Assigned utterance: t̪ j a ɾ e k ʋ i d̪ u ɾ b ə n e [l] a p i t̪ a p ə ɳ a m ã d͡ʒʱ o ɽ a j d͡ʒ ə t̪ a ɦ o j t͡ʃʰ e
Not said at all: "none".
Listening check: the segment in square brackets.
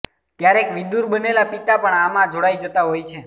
l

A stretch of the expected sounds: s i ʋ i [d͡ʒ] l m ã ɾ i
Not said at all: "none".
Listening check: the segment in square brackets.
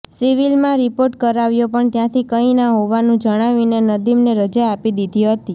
none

